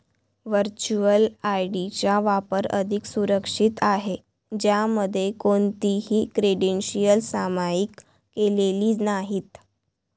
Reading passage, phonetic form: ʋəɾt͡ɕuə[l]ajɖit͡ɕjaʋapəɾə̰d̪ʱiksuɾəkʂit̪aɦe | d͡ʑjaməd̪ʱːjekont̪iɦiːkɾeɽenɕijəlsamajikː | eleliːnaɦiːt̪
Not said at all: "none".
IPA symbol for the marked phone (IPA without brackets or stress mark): l